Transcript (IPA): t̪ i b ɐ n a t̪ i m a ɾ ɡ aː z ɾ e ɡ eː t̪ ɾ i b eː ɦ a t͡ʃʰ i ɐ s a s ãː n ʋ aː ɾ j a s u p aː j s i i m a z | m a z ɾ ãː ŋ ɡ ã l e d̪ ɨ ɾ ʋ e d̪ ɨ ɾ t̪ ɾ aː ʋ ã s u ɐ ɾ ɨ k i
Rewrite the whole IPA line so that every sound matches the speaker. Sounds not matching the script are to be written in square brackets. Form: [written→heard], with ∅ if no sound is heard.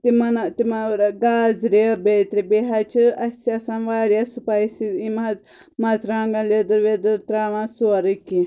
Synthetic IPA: t̪ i [b→m] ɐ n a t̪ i m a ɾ ɡ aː z ɾ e [ɡ→b] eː t̪ ɾ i b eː ɦ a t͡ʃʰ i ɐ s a s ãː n ʋ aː ɾ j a s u p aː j s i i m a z | m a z ɾ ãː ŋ ɡ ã l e d̪ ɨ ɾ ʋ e d̪ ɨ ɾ t̪ ɾ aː ʋ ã s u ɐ ɾ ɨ k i

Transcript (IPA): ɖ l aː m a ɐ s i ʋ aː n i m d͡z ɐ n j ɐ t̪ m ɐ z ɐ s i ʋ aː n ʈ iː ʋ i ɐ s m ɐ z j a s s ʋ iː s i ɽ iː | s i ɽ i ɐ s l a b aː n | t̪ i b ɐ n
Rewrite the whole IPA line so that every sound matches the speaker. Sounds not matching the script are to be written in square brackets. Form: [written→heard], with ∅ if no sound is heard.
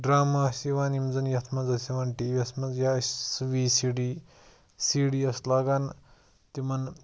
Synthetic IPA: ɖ [l→ɾ] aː m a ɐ s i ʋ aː n i m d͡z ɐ n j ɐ [t̪→t̪ʰ] m ɐ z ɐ s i ʋ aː n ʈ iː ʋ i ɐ s m ɐ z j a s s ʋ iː s i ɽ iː | s i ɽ i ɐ s l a [b→ɡ] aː n | t̪ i [b→m] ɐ n

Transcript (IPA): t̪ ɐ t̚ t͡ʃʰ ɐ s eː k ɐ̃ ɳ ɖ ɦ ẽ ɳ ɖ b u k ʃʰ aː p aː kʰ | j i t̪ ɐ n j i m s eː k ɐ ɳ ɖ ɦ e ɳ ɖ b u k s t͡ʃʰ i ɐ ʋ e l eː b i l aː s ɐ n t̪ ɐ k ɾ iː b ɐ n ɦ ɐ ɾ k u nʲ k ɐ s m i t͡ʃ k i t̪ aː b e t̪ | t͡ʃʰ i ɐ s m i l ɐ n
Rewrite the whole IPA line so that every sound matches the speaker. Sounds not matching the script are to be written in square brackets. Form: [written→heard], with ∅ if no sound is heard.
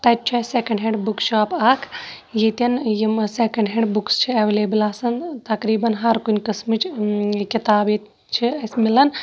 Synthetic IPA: t̪ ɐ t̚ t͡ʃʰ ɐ s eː k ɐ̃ ɳ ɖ ɦ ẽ ɳ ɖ b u k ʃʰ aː p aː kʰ | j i t̪ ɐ n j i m s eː k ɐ ɳ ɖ ɦ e ɳ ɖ b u k s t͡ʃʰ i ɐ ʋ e l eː b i l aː s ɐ n t̪ ɐ k ɾ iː b ɐ n ɦ ɐ ɾ k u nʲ k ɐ s m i t͡ʃ k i t̪ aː b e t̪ | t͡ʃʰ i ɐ s m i l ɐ n

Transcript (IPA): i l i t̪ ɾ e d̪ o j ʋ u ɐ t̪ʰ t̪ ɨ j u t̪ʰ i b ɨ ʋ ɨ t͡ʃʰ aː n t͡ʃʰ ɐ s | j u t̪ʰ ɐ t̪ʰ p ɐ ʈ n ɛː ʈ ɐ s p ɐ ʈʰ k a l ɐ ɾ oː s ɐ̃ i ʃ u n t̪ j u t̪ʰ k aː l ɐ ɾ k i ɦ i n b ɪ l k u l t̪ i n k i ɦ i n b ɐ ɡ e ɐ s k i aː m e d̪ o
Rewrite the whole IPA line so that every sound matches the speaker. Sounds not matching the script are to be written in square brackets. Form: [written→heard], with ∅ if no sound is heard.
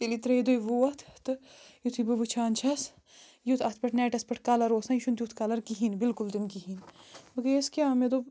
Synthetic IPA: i l i t̪ ɾ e d̪ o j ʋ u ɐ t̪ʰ t̪ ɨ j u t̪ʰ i b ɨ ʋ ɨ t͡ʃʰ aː n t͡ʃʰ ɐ s | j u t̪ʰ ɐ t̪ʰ p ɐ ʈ n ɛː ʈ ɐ s p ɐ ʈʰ k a l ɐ ɾ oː s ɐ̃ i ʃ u n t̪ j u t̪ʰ k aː l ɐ ɾ k i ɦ i n b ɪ l k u l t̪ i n k i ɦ i n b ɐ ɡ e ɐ s k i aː m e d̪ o

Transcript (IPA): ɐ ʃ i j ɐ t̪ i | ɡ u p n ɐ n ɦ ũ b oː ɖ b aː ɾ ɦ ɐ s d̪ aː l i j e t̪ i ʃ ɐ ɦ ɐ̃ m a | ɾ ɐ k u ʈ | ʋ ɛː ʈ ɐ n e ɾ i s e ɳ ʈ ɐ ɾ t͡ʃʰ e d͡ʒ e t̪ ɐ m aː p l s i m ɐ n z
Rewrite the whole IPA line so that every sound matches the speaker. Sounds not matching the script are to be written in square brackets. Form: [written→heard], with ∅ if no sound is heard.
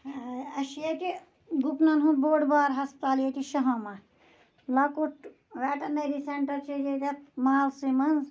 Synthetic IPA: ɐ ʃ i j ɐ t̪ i | ɡ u p n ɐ n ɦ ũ b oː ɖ b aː ɾ ɦ ɐ s [d̪→t̪] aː l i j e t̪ i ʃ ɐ ɦ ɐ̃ m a | [ɾ→l] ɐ k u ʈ | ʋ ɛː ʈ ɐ n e ɾ i s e ɳ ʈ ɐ ɾ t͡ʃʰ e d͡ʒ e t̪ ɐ m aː [p→∅] l s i m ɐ n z

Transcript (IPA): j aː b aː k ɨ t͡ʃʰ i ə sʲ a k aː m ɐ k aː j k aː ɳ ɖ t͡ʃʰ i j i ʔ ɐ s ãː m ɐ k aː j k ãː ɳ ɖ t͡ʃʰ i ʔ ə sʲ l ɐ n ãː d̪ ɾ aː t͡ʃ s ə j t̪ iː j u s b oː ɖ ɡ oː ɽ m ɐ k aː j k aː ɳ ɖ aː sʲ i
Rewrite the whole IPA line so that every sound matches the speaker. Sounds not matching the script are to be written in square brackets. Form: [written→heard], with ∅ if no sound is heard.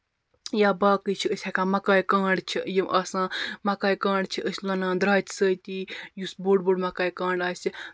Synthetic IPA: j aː b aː k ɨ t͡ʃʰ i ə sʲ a k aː m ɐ k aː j k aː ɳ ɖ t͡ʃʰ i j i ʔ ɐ s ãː m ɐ k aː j k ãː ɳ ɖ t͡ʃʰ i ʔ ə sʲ l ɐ n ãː d̪ ɾ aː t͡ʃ s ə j t̪ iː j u s b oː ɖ [ɡ→b] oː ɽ m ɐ k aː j k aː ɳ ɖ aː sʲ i

